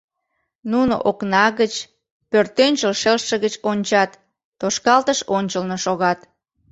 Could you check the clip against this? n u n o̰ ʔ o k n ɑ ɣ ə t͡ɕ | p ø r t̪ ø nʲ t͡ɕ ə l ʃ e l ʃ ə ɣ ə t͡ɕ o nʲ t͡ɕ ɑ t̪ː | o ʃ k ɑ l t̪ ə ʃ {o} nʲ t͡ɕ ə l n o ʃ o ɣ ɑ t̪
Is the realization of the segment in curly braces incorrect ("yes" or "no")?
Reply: no